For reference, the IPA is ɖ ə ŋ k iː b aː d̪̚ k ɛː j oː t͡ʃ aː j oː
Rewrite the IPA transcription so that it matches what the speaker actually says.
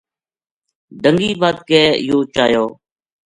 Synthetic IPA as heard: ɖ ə ŋ ɡ iː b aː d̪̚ k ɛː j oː t͡ʃ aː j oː